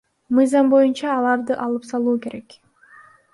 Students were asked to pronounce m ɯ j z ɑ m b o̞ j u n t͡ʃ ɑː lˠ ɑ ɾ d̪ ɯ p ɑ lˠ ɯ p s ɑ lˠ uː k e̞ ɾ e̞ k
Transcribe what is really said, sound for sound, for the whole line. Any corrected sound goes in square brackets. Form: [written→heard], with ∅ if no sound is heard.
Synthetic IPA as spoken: m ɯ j z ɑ m b o̞ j u n t͡ʃ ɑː lˠ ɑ ɾ d̪ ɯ [p→ʔ] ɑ lˠ ɯ p s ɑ lˠ uː k e̞ ɾ e̞ k